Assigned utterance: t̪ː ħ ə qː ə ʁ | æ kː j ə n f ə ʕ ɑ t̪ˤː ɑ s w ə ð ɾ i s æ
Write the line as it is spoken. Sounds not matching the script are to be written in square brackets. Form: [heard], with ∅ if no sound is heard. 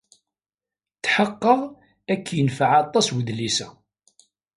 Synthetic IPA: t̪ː ħ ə qː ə ʁ | æ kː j ə n f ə ʕ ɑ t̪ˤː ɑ s w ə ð [l] i s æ